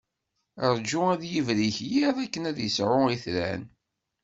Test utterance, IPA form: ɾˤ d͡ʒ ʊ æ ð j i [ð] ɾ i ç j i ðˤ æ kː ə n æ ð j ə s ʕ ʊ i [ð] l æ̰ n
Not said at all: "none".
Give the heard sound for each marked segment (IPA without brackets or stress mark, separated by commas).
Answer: v, θ